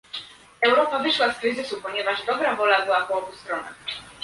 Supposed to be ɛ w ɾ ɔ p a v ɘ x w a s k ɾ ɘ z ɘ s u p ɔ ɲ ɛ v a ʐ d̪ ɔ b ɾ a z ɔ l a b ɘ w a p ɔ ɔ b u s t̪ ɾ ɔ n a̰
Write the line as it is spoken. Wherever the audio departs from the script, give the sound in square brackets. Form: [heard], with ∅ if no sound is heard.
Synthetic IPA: ɛ w ɾ ɔ p a v ɘ [ʂ] w a s k ɾ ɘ z ɘ s u p ɔ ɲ ɛ v a ʐ d̪ ɔ b ɾ a [v] ɔ l a b ɘ w a p ɔ ɔ b u s t̪ ɾ ɔ n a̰